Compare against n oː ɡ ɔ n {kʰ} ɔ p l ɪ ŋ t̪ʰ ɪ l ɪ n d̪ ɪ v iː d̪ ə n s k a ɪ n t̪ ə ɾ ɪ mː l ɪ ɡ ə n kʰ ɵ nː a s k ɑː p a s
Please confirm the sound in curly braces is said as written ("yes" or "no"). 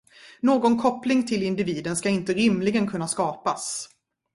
yes